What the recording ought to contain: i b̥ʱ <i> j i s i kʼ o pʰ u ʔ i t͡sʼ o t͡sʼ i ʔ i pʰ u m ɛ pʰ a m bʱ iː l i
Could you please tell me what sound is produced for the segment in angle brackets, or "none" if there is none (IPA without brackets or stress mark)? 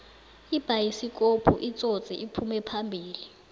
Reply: a